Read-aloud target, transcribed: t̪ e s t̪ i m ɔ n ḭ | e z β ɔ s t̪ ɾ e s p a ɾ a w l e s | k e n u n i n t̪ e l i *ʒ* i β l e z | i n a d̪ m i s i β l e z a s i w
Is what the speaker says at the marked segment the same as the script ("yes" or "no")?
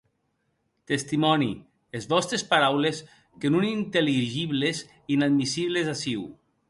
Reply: yes